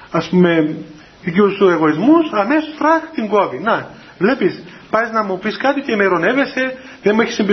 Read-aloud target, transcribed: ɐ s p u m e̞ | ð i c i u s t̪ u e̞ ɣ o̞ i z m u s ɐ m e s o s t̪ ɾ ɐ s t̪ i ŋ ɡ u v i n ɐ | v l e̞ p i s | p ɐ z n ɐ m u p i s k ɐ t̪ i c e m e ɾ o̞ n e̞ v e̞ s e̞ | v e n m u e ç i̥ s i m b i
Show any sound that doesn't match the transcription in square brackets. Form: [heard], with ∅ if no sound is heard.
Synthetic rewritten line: ɐ s p u m e̞ | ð i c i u s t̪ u e̞ ɣ o̞ i z m u s ɐ m e s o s t̪ ɾ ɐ [x] t̪ i ŋ ɡ [o] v i n ɐ | v l e̞ p i s | p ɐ z n ɐ m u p i s k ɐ t̪ i c e m e ɾ o̞ n e̞ v e̞ s e̞ | [ð] e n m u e ç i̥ s i m b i